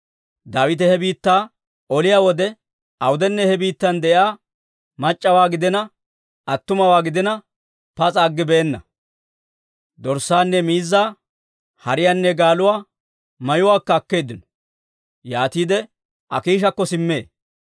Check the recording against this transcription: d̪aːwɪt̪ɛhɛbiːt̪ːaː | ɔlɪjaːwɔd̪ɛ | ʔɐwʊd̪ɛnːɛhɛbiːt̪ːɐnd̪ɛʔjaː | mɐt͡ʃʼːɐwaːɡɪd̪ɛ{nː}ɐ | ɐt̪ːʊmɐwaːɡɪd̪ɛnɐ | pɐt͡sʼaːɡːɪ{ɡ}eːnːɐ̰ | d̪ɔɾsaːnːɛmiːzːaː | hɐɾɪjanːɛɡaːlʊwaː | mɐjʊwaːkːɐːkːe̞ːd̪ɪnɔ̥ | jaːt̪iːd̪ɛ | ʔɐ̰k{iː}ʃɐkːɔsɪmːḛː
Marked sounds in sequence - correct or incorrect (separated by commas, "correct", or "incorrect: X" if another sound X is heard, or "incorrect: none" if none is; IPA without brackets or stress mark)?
incorrect: n, incorrect: b, correct